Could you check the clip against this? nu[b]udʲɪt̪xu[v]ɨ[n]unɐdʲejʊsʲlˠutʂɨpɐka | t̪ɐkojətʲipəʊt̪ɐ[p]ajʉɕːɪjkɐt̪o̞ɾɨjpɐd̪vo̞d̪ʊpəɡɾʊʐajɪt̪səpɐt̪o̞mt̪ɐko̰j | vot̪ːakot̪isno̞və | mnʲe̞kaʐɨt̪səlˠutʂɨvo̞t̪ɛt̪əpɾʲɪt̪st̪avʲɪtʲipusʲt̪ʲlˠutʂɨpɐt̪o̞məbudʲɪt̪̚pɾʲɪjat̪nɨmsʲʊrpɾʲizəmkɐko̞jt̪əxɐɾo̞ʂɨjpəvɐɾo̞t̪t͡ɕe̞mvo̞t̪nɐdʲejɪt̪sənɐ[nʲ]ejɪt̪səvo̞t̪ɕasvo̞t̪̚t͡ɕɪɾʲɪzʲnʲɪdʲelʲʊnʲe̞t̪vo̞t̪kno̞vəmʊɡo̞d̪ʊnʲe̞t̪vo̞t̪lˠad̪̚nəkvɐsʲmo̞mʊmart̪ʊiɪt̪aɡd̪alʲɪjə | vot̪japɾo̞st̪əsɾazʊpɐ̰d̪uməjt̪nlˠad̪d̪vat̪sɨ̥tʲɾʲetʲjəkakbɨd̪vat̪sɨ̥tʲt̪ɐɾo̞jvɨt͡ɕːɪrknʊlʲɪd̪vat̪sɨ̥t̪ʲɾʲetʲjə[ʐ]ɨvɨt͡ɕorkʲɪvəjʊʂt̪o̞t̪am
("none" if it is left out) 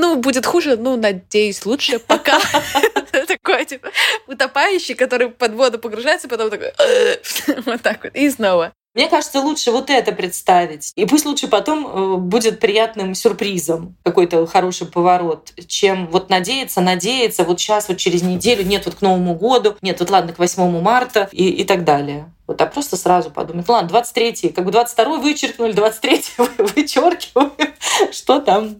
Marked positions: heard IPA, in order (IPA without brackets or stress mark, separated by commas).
b, ʐ, n, p, dʲ, v